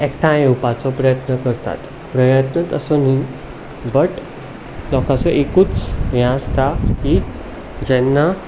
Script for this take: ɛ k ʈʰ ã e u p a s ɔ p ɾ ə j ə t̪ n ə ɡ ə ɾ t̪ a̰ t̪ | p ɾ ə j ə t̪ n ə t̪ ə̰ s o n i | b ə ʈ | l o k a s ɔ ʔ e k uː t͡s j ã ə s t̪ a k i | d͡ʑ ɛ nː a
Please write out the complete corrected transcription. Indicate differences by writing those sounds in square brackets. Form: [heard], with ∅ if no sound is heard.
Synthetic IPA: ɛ k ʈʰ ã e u p a [t͡s] ɔ p ɾ ə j ə t̪ n ə [k] ə ɾ t̪ a̰ t̪ | p ɾ ə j ə t̪ n ə t̪ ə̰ s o n i | b ə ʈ | l [ɔ] k a [t͡s] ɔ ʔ e k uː t͡s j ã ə s t̪ a k i | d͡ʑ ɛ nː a